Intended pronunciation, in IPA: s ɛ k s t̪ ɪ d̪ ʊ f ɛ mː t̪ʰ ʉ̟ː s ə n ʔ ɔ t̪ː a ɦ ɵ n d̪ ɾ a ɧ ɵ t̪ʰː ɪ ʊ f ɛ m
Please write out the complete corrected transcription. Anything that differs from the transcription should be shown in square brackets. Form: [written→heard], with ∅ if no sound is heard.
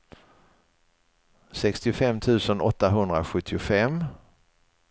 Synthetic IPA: s ɛ k s t̪ ɪ [d̪→∅] ʊ f ɛ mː t̪ʰ ʉ̟ː s ə n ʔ ɔ t̪ː a ɦ ɵ n d̪ ɾ a ɧ ɵ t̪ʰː ɪ ʊ f ɛ m